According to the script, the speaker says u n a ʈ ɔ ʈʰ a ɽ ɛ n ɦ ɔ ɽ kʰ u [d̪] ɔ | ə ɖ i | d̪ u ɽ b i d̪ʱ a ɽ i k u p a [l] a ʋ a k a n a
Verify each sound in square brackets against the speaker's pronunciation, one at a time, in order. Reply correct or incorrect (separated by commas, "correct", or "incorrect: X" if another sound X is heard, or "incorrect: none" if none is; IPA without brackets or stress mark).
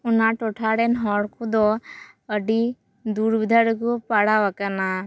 correct, incorrect: ɽ